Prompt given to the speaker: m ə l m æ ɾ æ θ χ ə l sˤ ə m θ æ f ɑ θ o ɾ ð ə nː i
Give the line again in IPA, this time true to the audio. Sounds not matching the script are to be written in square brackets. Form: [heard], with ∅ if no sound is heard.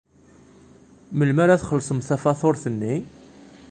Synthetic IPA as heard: m ə l m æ ɾ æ θ χ ə l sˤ ə m θ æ f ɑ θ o ɾ [θ] ə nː i